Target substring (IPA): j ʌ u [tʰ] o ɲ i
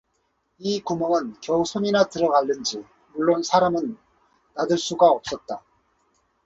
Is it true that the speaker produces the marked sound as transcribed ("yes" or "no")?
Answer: no